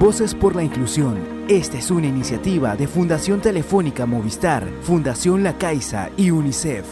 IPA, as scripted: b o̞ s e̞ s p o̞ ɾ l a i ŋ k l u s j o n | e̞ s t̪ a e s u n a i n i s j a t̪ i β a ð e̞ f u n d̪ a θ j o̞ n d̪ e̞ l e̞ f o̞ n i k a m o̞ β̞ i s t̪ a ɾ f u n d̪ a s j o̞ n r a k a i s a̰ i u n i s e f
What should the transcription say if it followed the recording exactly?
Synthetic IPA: b o̞ s e̞ s p o̞ ɾ l a i ŋ k l u s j o n | e̞ s t̪ a e s u n a i n i s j a t̪ i β a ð e̞ f u n d̪ a s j o̞ n t̪ e̞ l e̞ f o̞ n i k a m o̞ β̞ i s t̪ a ɾ f u n d̪ a s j o̞ n l a k a j s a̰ i u n i s e f